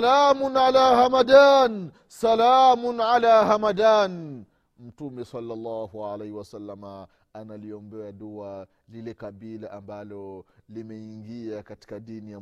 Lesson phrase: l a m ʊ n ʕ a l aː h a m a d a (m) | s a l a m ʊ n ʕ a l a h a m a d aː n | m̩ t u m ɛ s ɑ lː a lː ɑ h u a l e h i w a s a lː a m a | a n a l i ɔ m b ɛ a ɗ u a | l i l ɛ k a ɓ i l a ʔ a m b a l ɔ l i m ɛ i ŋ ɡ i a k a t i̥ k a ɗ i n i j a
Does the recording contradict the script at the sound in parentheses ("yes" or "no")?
yes